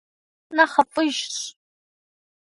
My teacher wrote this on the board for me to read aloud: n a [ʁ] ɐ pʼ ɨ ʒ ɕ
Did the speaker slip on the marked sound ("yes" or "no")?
yes